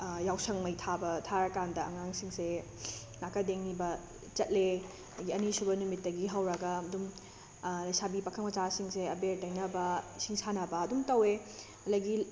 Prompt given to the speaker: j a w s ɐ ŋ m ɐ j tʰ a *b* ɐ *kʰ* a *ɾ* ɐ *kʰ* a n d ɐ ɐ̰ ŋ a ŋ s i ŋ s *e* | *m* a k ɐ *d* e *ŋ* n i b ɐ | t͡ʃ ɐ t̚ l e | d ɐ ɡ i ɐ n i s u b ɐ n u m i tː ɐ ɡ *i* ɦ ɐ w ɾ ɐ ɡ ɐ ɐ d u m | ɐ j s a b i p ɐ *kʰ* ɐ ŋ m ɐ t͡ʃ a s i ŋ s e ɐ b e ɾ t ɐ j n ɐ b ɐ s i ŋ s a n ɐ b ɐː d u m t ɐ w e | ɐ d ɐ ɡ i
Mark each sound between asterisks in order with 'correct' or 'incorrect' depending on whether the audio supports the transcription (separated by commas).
correct, incorrect, correct, incorrect, correct, incorrect, correct, correct, correct, correct